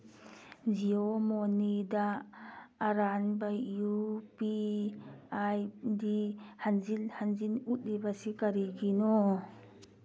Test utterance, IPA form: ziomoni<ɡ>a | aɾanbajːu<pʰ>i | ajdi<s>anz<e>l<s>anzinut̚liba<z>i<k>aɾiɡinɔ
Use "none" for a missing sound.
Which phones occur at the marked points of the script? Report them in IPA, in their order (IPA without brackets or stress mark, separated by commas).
d, p, h, i, h, s, k